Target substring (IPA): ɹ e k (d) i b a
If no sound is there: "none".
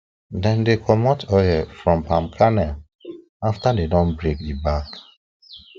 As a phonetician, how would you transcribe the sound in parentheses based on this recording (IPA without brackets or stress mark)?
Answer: d